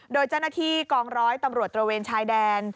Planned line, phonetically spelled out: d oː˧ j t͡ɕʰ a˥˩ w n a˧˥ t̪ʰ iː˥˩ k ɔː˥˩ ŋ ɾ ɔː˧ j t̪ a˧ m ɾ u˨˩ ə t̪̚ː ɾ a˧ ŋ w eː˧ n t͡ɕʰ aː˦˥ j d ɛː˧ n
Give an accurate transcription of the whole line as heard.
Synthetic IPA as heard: d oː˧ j t͡ɕ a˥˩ w n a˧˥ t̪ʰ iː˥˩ k ɔː˧ ŋ ɾ ɔː˦˥ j t̪ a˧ m ɾ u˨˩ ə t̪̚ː ɾ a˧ w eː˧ n t͡ɕʰ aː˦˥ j d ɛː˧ n

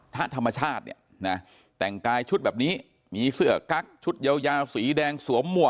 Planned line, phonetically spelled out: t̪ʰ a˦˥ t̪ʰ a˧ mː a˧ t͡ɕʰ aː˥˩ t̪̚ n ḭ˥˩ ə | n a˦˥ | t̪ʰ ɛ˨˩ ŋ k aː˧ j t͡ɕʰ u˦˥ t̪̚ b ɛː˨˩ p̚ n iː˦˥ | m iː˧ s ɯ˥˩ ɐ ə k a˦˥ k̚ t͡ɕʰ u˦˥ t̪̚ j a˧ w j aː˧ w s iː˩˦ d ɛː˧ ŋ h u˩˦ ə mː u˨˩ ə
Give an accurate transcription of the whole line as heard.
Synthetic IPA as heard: t̪ʰ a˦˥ t̪ʰ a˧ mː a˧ t͡ɕʰ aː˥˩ t̪̚ n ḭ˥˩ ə | n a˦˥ | t̪ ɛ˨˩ ŋ k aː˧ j t͡ɕʰ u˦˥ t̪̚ b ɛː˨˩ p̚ n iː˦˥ | m iː˧ s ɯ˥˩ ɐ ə k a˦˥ k̚ t͡ɕʰ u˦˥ t̪̚ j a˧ w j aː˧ w s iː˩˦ d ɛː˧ ŋ s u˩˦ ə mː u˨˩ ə

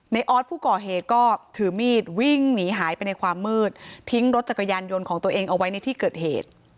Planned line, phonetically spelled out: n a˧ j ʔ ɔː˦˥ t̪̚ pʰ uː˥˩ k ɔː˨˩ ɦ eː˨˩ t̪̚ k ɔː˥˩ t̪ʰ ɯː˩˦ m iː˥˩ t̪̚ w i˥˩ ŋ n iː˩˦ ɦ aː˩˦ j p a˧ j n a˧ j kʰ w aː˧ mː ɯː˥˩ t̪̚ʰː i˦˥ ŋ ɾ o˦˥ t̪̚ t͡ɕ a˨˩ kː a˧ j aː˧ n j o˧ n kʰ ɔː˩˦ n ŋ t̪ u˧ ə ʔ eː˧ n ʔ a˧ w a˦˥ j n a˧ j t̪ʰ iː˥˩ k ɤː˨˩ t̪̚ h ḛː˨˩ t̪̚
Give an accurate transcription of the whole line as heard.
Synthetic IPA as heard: n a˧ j ʔ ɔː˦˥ t̪̚ pʰ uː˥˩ k ɔː˨˩ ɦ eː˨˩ t̪̚ k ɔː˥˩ t̪ʰ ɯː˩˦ m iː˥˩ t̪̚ w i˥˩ ŋ n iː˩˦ ɦ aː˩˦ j p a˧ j n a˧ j kʰ w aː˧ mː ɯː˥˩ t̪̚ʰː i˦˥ ŋ ɾ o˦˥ t̪̚ t͡ɕ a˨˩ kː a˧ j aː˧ n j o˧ n kʰ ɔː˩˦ ŋ t̪ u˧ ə ʔ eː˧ ŋ ʔ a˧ w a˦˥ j n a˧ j t̪ʰ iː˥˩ k ɤː˨˩ t̪̚ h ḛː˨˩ t̪̚

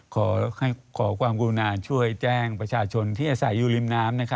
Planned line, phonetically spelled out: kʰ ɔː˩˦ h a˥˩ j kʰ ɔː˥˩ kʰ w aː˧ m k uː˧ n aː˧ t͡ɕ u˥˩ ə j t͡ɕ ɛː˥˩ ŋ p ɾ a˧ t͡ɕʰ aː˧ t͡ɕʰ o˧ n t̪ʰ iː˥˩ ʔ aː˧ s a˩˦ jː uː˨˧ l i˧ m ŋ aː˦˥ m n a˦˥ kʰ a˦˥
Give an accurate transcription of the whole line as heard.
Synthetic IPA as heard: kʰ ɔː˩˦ h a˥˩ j kʰ ɔː˩˦ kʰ w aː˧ m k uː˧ n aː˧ t͡ɕʰ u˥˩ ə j t͡ɕ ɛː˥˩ ŋ p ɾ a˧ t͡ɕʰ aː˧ t͡ɕʰ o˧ n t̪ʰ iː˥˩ ʔ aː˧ s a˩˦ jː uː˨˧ l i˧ m n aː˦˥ m n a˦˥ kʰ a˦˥

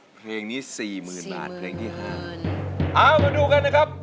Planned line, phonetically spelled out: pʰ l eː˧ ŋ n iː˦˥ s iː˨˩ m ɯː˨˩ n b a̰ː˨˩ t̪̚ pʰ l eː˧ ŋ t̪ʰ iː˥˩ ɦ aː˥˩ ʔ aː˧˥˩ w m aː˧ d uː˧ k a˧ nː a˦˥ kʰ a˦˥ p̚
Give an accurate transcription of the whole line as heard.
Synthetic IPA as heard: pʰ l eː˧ ŋ n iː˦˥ s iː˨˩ m ɯː˨˩ n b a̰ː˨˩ t̪̚ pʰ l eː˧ ŋ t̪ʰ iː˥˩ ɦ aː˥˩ ʔ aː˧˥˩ w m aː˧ d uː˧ k a˧ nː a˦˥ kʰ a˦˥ p̚

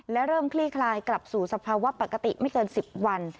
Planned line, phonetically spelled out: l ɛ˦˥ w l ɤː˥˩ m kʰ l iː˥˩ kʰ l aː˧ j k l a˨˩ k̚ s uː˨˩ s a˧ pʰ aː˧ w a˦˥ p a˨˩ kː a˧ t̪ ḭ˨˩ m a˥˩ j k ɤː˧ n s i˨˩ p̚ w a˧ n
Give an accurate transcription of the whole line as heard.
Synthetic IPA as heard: l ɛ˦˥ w ɾ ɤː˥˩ m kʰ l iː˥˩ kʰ l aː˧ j k l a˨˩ p̚ s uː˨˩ s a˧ pʰ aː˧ w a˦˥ p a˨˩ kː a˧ t̪ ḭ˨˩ m a˥˩ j k ɤː˧ n s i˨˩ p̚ w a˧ n

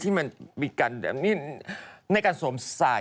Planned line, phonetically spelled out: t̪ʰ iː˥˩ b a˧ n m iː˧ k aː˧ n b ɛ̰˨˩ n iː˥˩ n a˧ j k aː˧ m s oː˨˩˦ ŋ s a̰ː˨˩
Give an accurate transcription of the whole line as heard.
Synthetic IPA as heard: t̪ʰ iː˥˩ m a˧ n m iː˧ k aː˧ n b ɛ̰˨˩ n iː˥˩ n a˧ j k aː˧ n s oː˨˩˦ m s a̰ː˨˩

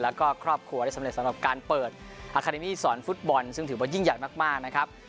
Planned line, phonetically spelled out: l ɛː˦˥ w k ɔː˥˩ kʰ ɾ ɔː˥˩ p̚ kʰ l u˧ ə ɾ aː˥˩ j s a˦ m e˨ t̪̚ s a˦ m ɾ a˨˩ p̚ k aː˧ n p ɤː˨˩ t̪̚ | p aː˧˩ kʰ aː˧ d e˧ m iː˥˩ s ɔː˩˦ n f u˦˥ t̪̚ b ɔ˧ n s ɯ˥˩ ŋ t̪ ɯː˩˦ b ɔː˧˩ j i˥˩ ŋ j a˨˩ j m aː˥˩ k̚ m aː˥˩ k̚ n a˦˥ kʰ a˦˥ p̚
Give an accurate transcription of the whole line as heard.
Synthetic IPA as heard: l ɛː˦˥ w k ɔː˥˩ kʰ ɾ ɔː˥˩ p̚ kʰ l u˧ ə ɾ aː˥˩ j s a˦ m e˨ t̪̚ s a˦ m ɾ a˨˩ p̚ k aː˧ n p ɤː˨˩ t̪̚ | ʔ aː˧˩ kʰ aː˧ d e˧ m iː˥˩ s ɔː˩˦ n f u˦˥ t̪̚ b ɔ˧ n s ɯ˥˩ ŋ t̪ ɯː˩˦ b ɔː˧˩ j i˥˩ ŋ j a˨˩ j m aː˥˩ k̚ m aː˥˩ k̚ n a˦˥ kʰ a˦˥ p̚

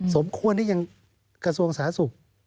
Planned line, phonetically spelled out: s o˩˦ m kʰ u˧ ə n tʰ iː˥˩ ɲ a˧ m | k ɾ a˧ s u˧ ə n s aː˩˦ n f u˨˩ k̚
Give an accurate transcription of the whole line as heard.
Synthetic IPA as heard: s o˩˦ m kʰ u˧ ə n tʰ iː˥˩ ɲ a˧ ŋ | k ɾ a˧ s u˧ ə ŋ s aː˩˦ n s u˨˩ k̚

